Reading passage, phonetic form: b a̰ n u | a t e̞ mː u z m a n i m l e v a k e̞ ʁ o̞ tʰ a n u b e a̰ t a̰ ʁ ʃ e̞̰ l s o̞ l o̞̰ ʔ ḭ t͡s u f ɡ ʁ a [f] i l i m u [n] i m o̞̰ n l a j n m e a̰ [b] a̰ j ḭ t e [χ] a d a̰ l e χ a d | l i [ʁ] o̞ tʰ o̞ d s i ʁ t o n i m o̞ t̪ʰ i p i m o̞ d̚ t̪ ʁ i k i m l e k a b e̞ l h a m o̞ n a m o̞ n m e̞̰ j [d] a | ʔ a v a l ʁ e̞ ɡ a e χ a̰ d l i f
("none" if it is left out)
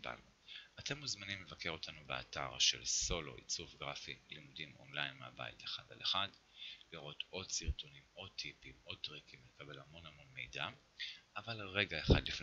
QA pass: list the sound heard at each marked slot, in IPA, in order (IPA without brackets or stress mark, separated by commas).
f, d, b, χ, ʁ, d